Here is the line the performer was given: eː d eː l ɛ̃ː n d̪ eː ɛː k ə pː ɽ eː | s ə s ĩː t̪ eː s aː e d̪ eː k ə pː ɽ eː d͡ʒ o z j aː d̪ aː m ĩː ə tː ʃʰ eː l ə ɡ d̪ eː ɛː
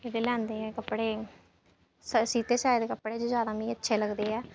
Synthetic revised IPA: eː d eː l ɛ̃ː n d̪ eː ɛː k ə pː ɽ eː | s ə s iː t̪ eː s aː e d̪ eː k ə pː ɽ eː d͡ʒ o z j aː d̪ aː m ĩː ə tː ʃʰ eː l ə ɡ d̪ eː ɛː